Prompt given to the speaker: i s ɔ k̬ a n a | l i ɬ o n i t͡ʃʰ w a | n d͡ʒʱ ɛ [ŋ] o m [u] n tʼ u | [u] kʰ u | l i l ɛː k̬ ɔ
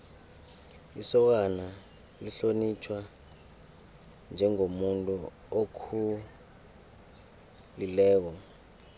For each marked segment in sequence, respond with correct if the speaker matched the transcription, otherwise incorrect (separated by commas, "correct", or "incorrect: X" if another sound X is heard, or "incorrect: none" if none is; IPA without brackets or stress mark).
correct, correct, incorrect: o